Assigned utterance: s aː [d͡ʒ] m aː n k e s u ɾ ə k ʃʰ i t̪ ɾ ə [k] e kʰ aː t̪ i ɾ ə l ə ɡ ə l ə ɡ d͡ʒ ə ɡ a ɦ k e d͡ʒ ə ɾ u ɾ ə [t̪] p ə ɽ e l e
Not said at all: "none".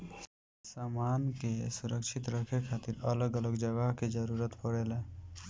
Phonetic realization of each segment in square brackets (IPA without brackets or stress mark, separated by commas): none, kʰ, t̪